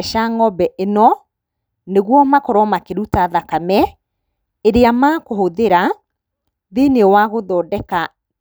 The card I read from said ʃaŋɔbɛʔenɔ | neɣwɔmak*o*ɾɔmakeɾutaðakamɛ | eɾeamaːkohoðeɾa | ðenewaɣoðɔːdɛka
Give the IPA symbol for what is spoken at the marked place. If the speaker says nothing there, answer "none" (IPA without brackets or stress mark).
ɔ